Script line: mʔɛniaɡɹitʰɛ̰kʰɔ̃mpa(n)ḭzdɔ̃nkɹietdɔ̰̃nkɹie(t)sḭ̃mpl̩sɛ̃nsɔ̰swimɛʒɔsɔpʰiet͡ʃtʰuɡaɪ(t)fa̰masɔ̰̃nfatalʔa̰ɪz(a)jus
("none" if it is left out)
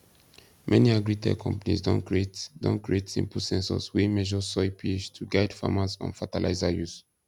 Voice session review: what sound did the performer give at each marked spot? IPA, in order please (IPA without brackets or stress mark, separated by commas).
n, t, d, a